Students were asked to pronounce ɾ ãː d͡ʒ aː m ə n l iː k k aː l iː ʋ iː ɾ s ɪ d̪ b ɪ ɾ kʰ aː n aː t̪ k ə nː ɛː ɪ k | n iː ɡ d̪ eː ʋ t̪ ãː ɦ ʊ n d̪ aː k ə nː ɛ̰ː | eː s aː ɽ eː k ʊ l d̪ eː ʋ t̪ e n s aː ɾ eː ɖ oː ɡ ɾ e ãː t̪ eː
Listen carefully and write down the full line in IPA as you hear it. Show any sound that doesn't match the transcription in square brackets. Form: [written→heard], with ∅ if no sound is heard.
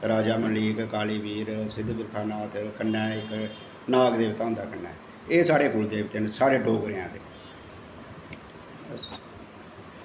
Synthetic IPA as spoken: ɾ [ãː→aː] d͡ʒ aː m ə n l iː k k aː l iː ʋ iː ɾ s ɪ d̪ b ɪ ɾ kʰ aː n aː t̪ k ə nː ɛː ɪ k | n [iː→aː] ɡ d̪ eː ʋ t̪ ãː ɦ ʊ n d̪ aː k ə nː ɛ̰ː | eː s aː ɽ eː k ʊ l d̪ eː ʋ t̪ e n s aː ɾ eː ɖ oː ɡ ɾ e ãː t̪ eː

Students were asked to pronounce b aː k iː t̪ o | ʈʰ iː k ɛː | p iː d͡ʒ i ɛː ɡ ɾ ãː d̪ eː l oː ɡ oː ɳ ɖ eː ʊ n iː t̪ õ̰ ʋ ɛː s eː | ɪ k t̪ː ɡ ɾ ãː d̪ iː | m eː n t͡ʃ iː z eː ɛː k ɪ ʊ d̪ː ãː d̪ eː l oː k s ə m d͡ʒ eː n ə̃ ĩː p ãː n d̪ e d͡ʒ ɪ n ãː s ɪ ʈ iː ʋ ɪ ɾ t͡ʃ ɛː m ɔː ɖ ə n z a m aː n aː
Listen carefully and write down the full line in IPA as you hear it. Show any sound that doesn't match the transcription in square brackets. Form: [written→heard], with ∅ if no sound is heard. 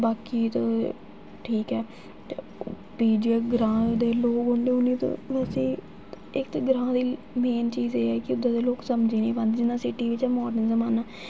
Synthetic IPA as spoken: b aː k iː t̪ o | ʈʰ iː k ɛː | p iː d͡ʒ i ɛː ɡ ɾ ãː d̪ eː l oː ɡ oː ɳ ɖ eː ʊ n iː t̪ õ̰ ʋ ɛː s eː | ɪ k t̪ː ɡ ɾ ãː d̪ iː | m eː n t͡ʃ iː z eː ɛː k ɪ ʊ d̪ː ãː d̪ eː l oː k s ə m d͡ʒ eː n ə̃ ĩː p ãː n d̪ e d͡ʒ ɪ n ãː s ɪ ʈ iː ʋ ɪ [ɾ→∅] t͡ʃ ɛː m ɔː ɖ ə n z [a→ə] m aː n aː

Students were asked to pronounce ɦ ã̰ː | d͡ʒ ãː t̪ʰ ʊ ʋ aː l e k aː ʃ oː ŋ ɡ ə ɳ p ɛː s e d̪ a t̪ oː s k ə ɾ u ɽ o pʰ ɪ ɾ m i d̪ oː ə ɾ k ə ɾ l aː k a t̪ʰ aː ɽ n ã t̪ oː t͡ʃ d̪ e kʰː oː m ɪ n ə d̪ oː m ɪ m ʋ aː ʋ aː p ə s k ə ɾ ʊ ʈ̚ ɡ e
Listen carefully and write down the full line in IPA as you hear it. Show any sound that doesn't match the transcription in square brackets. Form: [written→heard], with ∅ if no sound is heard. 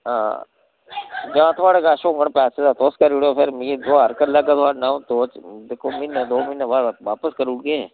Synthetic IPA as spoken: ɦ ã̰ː | d͡ʒ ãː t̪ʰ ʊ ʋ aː [l→ɽ] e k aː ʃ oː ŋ ɡ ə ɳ p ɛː s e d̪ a t̪ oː s k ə ɾ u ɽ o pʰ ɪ ɾ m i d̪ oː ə ɾ k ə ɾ l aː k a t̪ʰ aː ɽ n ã t̪ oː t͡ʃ d̪ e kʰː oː m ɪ n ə d̪ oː m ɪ [m→n] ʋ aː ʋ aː p ə s k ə ɾ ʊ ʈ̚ ɡ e

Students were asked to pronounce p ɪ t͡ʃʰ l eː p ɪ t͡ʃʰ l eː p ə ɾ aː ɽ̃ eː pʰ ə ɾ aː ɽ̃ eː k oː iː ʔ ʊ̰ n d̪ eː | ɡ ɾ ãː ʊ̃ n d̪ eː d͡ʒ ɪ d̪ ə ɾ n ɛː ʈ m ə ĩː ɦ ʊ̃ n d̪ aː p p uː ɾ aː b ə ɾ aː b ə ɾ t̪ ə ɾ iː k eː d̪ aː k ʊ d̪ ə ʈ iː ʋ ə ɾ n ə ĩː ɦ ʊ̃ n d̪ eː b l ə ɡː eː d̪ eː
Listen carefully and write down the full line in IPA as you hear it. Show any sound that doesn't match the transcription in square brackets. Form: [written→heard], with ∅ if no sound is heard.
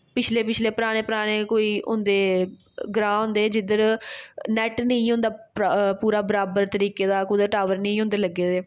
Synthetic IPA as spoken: p ɪ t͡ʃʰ l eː p ɪ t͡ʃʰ l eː p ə ɾ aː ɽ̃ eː [pʰ→p] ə ɾ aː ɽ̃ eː k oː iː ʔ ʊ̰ n d̪ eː | ɡ ɾ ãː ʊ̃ n d̪ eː d͡ʒ ɪ d̪ ə ɾ n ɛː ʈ [m→n] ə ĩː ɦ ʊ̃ n d̪ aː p p uː ɾ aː b ə ɾ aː b ə ɾ t̪ ə ɾ iː k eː d̪ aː k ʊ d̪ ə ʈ [iː→aː] ʋ ə ɾ n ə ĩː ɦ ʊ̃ n d̪ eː [b→∅] l ə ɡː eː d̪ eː

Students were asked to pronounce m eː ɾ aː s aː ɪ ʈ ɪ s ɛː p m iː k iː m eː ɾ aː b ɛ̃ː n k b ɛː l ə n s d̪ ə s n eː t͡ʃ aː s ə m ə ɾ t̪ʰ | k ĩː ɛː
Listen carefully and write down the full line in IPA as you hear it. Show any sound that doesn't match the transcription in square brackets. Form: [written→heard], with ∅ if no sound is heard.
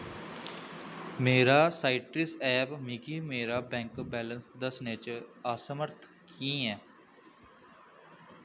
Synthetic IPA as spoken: m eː ɾ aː s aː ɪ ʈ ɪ s ɛː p m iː k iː m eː ɾ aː b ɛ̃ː [n→ŋ] k b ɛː l ə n s d̪ ə s n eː t͡ʃ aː s ə m ə ɾ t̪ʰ | k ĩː ɛː

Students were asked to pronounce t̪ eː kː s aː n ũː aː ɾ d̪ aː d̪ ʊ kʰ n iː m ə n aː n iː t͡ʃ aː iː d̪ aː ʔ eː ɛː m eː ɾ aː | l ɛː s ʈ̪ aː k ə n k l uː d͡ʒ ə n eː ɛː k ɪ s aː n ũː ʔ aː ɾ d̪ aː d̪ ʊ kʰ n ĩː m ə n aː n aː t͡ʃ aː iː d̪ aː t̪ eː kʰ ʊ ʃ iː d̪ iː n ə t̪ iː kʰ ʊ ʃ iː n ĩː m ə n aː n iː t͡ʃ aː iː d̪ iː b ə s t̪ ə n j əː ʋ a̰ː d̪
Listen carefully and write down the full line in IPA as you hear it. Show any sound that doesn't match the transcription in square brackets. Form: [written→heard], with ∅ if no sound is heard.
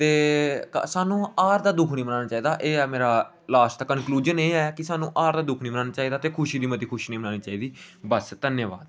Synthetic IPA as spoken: t̪ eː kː s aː n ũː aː ɾ d̪ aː d̪ ʊ kʰ n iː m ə n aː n [iː→aː] t͡ʃ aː iː d̪ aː ʔ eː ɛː m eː ɾ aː | l [ɛː→aː] s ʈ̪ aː k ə n k l uː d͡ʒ ə n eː ɛː k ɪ s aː n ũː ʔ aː ɾ d̪ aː d̪ ʊ kʰ n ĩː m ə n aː n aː t͡ʃ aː iː d̪ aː t̪ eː kʰ ʊ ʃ iː d̪ iː [n→m] ə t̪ iː kʰ ʊ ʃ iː n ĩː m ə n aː n iː t͡ʃ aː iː d̪ iː b ə s t̪ ə n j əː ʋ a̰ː d̪

